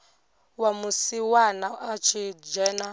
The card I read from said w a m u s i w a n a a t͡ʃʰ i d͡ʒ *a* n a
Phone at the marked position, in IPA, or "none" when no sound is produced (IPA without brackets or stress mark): ɛ